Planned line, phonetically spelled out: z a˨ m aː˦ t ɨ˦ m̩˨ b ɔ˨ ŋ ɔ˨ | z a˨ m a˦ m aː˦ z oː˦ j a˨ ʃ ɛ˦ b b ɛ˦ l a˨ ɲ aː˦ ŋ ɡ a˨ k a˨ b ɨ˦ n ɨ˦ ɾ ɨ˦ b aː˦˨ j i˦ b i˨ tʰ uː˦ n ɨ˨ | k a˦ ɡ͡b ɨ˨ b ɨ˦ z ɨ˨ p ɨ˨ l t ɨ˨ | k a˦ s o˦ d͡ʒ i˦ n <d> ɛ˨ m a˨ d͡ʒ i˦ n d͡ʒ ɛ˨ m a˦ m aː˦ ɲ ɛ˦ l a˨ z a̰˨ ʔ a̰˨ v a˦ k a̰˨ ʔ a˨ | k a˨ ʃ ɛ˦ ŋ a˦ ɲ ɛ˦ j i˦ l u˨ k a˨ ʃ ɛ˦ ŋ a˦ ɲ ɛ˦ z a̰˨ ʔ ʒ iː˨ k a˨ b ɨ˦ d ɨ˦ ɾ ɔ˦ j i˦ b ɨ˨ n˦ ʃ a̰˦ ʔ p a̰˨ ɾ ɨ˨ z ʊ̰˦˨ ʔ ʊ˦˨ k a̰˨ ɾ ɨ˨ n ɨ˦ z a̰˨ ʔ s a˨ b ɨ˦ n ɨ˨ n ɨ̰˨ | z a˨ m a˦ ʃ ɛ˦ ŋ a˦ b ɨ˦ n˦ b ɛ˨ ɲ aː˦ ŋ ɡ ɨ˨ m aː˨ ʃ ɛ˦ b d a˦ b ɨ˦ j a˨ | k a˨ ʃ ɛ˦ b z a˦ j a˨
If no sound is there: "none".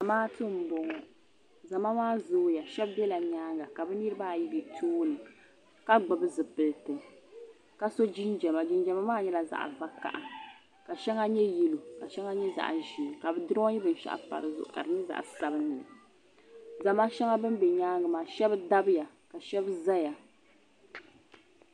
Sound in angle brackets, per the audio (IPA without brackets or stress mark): d͡ʒ